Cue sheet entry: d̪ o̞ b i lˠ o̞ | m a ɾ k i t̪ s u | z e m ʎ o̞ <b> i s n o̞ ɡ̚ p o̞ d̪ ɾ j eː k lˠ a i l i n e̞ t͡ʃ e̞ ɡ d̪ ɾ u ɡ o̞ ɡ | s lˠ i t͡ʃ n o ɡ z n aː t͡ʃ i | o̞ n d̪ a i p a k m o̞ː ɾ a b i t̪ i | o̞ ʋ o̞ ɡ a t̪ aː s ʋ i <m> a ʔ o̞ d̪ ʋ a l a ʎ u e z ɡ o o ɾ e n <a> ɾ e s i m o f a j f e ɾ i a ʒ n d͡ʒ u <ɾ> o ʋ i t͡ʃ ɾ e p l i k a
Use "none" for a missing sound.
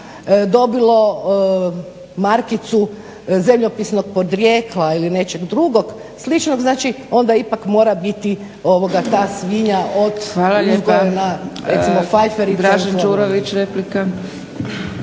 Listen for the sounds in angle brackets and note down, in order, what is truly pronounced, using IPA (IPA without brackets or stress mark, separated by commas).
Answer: p, ɲ, a, ɾ